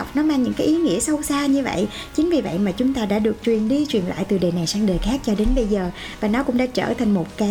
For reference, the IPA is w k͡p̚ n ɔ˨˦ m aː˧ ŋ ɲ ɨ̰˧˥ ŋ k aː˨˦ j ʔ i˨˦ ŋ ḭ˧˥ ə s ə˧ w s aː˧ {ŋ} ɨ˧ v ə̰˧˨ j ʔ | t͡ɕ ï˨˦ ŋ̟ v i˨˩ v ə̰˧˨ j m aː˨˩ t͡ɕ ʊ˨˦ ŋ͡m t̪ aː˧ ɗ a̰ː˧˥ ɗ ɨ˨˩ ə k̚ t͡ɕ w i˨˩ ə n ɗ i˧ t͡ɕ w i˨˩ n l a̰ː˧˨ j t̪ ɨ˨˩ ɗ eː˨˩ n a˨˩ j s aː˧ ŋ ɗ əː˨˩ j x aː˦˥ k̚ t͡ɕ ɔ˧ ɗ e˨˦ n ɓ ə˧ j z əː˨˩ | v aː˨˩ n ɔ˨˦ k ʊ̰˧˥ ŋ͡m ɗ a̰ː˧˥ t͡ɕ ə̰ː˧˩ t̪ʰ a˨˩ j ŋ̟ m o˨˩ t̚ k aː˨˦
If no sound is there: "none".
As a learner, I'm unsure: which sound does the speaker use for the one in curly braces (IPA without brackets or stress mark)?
ɲ